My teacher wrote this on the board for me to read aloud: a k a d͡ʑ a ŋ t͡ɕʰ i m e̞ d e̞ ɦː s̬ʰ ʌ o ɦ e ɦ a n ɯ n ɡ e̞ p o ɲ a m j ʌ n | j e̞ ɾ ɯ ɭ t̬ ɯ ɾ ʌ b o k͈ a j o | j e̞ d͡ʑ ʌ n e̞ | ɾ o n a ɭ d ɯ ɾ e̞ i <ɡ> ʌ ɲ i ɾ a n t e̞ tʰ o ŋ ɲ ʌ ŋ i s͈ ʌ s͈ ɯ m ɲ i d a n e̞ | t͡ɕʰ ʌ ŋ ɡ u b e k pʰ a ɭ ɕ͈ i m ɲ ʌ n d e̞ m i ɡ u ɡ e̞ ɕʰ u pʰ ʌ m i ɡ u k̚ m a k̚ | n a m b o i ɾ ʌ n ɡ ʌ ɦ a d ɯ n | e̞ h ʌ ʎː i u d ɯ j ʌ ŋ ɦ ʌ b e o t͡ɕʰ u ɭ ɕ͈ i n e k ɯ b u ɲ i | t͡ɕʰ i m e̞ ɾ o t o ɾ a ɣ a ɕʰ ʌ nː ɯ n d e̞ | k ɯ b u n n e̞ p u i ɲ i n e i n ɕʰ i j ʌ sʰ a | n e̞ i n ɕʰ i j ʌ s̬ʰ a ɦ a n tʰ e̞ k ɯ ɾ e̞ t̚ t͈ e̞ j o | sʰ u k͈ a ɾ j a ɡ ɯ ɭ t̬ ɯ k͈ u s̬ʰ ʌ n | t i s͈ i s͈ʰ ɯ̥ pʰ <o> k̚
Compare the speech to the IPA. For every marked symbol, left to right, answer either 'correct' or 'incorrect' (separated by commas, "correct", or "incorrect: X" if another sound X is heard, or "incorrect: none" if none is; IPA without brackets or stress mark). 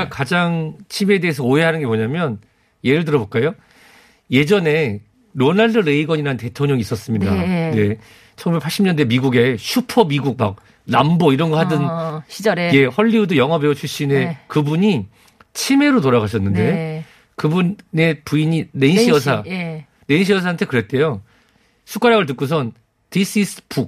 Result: correct, incorrect: u